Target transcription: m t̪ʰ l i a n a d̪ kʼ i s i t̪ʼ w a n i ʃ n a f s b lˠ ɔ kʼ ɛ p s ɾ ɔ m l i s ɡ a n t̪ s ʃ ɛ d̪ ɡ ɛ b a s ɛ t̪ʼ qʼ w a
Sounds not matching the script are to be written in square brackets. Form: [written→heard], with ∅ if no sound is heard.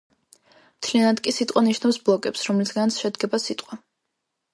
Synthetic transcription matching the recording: m t̪ʰ l i a n a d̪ kʼ i s i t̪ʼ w a n i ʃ n a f s b lˠ ɔ kʼ ɛ p s ɾ ɔ m l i s ɡ a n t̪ s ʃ ɛ d̪ ɡ ɛ b a s [ɛ→i] t̪ʼ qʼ w a